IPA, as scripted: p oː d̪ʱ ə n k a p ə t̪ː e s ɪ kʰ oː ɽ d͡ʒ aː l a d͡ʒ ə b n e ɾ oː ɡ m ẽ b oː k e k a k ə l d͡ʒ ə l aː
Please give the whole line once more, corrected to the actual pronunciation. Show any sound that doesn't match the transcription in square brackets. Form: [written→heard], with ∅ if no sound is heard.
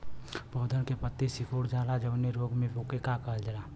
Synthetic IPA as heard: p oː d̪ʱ ə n k [a→e] p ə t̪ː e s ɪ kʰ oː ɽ d͡ʒ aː l a d͡ʒ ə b n e ɾ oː ɡ m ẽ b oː k e k a k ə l d͡ʒ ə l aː